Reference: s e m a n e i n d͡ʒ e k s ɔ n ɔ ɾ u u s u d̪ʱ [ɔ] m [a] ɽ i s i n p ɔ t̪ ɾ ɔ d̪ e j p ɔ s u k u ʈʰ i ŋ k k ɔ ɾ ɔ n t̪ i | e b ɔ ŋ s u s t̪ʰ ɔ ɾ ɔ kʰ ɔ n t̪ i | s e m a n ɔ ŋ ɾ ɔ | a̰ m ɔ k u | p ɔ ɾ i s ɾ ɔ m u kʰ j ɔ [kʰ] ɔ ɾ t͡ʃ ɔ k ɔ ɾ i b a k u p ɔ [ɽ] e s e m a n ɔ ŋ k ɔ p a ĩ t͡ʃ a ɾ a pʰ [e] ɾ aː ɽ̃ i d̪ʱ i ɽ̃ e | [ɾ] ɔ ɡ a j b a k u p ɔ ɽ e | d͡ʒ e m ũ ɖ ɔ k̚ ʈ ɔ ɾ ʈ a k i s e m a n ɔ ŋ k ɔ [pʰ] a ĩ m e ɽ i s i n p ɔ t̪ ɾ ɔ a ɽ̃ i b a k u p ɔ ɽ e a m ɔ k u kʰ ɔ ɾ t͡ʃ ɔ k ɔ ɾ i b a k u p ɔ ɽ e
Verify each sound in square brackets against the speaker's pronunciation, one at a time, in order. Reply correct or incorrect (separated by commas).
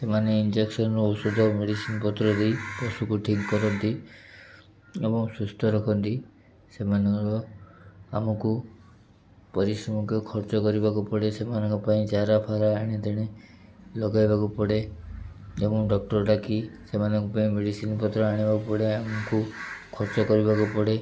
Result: correct, incorrect, correct, correct, incorrect, incorrect, incorrect